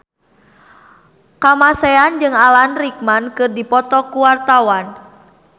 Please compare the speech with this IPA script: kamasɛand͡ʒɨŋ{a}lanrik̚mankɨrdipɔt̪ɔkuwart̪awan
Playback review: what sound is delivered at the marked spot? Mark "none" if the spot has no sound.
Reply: a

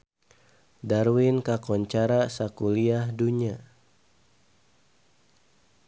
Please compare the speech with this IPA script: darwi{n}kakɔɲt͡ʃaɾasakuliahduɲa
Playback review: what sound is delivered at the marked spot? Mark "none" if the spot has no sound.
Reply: n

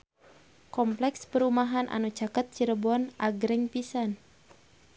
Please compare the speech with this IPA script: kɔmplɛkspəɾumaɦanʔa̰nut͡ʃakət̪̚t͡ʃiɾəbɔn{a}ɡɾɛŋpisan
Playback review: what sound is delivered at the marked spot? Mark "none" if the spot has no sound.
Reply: a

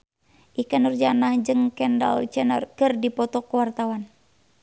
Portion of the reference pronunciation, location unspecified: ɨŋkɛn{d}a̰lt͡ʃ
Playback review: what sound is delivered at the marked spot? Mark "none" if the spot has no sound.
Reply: d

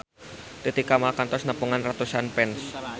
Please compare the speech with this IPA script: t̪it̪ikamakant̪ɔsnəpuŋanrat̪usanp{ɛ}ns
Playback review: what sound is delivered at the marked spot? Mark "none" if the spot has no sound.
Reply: ɛ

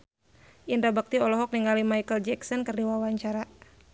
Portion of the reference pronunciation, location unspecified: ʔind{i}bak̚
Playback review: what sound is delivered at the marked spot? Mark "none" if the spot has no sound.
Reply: a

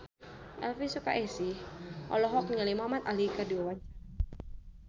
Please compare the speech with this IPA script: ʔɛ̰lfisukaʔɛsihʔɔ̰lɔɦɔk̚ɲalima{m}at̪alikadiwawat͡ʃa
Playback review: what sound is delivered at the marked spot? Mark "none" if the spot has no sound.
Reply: m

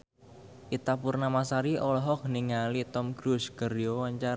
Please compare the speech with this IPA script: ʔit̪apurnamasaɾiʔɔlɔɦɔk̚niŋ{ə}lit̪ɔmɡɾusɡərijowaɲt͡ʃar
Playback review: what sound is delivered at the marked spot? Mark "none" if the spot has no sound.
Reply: a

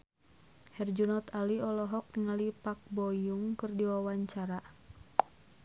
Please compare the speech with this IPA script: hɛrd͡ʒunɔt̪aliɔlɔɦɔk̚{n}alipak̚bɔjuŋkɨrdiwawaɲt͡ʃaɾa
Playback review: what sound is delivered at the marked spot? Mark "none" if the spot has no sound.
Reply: ŋ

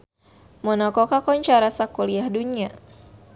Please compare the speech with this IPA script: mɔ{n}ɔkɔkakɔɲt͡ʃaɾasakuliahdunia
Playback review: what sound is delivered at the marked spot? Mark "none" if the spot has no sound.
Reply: n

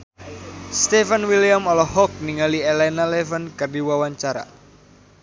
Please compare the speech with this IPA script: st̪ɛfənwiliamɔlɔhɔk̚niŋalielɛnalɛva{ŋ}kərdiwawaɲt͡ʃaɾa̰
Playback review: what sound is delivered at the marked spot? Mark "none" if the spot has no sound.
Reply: n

